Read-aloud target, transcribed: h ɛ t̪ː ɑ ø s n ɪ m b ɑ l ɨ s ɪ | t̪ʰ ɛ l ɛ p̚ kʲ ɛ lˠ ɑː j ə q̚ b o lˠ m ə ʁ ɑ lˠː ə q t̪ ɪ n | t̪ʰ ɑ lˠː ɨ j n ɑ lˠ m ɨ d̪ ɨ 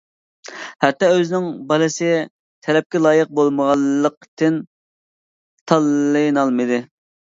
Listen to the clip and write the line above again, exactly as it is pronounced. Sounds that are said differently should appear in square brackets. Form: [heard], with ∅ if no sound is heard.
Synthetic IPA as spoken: h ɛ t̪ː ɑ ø [z] n ɪ [ŋ] b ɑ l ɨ s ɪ | t̪ʰ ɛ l ɛ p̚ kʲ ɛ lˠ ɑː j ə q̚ b o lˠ m ə ʁ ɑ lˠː ə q t̪ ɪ n | t̪ʰ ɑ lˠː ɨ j n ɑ lˠ m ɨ d̪ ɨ